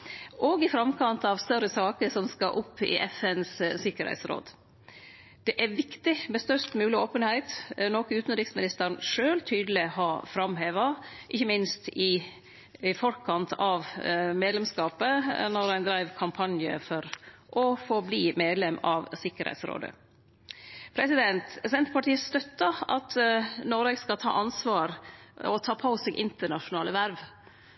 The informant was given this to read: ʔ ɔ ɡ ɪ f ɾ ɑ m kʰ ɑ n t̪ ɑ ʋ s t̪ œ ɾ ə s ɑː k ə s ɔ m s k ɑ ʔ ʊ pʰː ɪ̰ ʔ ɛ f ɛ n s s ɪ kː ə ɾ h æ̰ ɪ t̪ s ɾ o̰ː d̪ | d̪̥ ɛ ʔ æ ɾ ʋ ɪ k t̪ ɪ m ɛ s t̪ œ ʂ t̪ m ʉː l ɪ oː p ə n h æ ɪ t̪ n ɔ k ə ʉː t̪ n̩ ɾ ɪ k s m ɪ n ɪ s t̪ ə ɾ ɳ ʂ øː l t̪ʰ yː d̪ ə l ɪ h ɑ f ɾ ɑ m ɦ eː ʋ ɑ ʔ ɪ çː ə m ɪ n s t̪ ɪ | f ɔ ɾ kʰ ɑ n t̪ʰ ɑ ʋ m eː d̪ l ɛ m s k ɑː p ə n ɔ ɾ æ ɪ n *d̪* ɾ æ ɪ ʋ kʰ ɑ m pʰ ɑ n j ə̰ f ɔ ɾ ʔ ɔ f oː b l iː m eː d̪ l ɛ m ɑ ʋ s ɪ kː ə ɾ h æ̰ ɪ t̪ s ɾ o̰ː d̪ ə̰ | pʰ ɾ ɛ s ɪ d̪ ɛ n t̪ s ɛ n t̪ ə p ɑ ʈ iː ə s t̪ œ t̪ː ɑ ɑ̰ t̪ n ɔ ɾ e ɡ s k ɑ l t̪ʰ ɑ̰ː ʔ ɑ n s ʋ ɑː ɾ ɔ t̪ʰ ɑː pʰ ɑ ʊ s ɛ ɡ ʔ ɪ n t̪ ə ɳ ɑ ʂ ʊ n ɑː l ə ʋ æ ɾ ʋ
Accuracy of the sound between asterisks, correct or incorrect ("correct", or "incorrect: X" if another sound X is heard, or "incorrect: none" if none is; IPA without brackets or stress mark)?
correct